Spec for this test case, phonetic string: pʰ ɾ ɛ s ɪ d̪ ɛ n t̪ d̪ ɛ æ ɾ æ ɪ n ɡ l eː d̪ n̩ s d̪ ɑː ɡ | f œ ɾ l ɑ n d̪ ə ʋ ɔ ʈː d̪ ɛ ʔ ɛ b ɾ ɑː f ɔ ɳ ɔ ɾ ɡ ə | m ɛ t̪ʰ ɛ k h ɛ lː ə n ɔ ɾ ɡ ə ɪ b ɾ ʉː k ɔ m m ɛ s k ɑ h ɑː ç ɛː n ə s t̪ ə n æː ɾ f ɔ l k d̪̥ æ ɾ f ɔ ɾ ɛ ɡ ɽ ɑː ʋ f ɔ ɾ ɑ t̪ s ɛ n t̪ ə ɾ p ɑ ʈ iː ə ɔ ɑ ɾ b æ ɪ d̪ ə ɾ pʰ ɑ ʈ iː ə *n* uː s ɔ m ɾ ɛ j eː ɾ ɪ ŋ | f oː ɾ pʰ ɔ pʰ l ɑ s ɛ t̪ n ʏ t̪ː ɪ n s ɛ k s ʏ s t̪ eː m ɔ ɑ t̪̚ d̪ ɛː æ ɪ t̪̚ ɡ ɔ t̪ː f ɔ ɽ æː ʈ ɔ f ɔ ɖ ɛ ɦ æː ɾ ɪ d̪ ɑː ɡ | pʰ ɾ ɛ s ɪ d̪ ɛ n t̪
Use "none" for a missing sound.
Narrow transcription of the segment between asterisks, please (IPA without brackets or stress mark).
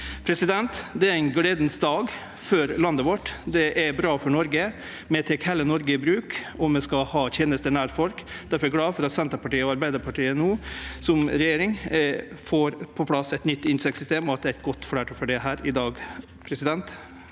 n